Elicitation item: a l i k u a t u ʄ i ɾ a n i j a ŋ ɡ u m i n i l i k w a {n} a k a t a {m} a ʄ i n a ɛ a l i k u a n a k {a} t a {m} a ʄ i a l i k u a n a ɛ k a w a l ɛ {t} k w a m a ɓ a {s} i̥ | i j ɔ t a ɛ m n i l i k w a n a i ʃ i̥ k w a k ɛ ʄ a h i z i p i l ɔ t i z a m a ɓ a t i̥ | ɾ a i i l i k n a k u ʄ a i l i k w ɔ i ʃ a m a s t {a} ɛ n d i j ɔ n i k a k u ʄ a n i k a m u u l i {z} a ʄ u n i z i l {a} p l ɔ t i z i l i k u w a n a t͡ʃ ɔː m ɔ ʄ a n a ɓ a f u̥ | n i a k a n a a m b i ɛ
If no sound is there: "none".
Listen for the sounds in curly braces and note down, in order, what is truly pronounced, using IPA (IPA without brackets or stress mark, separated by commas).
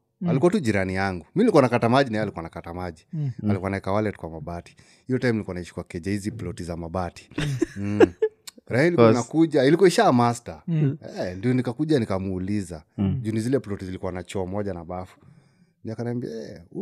n, m, a, m, t, t, a, z, ɛ